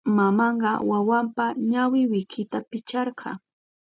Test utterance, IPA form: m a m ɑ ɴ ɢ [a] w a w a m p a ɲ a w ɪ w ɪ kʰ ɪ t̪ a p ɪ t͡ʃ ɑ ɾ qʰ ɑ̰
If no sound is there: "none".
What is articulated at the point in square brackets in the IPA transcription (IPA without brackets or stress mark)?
ɑ